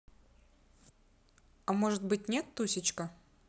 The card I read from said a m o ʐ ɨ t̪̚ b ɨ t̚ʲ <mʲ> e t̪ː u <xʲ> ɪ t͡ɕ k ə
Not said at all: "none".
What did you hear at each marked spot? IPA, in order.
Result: nʲ, sʲ

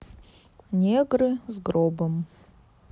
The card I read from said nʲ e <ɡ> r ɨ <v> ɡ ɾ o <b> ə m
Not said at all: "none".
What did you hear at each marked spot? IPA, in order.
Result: ɡ, z, b

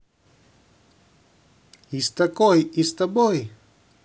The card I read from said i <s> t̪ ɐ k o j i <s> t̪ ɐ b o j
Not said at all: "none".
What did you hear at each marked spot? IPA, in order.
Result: s, s

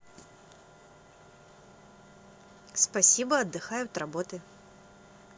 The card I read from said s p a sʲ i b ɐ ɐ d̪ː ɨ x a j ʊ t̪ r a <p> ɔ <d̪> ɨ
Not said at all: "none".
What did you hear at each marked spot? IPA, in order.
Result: b, t̪

